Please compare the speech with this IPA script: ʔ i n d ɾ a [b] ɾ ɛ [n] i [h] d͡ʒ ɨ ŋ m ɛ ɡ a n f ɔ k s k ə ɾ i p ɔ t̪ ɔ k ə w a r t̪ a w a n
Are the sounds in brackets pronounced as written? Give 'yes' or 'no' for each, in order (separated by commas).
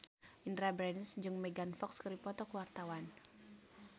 yes, yes, no